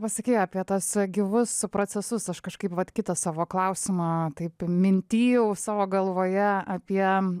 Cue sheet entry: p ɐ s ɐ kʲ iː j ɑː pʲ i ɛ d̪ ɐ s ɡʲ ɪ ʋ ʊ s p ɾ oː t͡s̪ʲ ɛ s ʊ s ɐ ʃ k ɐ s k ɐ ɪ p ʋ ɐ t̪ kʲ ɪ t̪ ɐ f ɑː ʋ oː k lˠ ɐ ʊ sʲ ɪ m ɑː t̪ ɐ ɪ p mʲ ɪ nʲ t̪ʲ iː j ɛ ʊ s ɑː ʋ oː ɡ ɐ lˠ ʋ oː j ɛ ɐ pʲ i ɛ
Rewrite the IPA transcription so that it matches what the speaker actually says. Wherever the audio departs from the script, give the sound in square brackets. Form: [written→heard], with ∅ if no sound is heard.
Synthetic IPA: p ɐ s ɐ kʲ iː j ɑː pʲ i ɛ [d̪→t̪] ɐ s ɡʲ ɪ ʋ ʊ s p ɾ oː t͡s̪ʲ ɛ s ʊ s ɐ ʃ k ɐ [s→ʃ] k ɐ ɪ p ʋ ɐ t̪ kʲ ɪ t̪ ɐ [f→s] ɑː ʋ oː k lˠ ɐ ʊ sʲ ɪ m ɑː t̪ ɐ ɪ p mʲ ɪ nʲ t̪ʲ iː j ɛ ʊ s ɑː ʋ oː ɡ ɐ lˠ ʋ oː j ɛ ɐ pʲ i ɛ